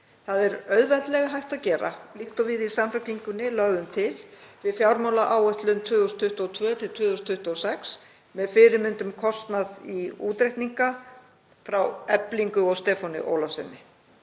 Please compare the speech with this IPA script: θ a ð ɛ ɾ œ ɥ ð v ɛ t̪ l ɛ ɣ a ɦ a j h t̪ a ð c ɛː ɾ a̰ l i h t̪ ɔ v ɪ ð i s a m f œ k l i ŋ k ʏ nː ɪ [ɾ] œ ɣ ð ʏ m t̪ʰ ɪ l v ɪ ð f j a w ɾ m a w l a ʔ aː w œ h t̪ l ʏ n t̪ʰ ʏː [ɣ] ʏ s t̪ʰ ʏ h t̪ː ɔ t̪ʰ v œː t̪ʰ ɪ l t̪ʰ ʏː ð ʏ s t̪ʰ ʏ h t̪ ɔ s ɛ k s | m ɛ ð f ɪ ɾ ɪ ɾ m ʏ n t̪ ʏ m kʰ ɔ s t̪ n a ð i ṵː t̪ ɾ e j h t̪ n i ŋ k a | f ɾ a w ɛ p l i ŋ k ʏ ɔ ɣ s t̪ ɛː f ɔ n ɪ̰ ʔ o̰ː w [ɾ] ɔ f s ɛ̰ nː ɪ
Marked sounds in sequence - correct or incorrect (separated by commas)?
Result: incorrect, incorrect, incorrect